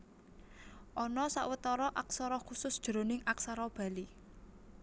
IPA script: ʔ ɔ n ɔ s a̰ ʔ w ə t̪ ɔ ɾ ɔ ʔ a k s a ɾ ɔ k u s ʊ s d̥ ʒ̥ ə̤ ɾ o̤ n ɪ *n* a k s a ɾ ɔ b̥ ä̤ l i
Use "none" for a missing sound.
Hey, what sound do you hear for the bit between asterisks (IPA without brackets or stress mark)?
ŋ